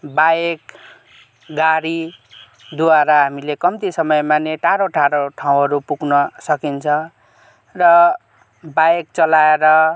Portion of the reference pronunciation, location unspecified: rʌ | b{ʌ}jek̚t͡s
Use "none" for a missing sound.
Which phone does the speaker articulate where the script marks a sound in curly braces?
a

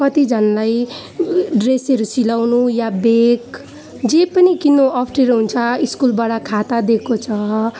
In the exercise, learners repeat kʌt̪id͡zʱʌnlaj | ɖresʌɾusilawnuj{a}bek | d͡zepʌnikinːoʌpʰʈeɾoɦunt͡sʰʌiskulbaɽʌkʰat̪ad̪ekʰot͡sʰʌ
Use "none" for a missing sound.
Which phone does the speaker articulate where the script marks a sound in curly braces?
a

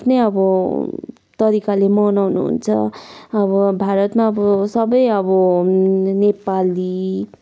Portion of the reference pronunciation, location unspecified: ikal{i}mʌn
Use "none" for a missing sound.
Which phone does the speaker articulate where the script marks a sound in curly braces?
e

